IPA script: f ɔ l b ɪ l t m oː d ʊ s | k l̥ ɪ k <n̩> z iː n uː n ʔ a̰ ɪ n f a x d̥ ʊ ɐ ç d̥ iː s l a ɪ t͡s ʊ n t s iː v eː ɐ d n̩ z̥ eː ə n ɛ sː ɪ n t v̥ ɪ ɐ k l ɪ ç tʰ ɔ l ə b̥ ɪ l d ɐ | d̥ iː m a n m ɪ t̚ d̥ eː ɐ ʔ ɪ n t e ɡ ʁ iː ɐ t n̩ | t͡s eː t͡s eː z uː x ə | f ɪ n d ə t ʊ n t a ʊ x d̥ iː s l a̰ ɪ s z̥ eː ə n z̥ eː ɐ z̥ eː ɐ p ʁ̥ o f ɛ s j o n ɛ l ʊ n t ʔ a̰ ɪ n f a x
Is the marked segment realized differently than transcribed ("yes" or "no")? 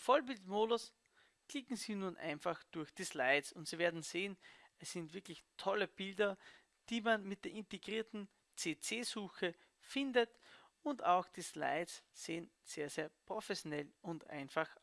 yes